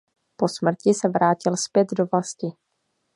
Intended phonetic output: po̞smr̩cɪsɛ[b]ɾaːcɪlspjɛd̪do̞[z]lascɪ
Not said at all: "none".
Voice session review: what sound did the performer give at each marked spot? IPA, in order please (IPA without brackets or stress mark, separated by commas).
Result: v, v